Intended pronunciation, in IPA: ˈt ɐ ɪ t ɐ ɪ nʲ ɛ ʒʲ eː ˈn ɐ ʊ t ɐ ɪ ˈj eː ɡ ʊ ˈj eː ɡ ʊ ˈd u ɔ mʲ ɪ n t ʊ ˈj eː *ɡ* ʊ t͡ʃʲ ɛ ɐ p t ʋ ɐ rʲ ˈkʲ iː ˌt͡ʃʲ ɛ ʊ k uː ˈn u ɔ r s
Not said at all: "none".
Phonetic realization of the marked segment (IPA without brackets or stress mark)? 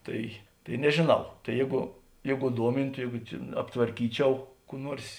ɡ